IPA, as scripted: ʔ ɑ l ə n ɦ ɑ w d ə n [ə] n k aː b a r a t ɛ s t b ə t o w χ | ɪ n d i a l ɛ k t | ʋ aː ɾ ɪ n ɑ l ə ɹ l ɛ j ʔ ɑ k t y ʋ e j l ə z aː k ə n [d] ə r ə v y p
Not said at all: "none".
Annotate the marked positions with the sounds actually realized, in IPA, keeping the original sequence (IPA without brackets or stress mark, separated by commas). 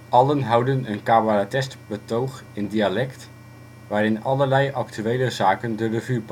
ə, d